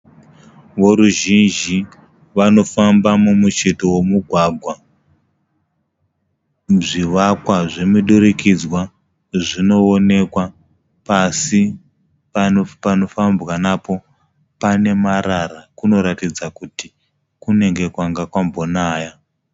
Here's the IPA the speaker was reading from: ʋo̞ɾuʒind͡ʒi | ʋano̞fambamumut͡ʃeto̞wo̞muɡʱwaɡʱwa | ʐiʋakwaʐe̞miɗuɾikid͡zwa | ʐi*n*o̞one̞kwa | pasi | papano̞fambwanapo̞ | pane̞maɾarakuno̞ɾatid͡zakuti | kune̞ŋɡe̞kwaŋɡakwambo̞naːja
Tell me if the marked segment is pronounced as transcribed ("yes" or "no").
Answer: yes